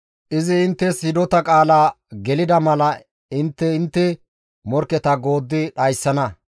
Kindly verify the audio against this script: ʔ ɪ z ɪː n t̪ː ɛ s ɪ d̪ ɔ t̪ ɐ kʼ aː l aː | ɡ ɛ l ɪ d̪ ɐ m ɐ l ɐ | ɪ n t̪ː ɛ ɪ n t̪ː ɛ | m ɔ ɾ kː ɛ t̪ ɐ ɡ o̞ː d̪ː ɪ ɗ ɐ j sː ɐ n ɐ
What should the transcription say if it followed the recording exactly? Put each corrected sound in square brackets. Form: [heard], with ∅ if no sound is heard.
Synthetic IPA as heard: ʔ ɪ z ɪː n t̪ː ɛ s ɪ d̪ ɔ t̪ ɐ kʼ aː l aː | ɡ ɛ l ɪ d̪ ɐ m ɐ l ɐ | ɪ n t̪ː ɛ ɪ n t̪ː ɛ | m ɔ ɾ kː ɛ t̪ ɐ ɡ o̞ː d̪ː ɪ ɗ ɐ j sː ɐ n ɐ